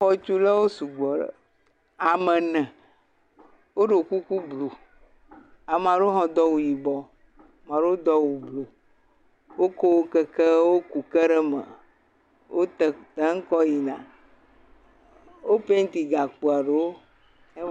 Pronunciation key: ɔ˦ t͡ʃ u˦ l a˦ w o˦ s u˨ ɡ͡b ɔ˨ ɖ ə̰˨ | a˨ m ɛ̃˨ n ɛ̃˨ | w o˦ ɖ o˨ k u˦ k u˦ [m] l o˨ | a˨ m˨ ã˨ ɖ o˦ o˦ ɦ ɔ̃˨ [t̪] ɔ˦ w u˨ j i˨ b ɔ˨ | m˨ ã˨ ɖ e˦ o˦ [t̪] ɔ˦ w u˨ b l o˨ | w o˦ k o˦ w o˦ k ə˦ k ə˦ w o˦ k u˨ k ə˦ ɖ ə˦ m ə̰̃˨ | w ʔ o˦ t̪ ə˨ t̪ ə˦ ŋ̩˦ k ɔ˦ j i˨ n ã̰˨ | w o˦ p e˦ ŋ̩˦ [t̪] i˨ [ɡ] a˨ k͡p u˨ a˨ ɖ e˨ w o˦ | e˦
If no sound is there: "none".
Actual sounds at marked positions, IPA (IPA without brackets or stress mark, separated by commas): b, d̪, d̪, t̪, ɡ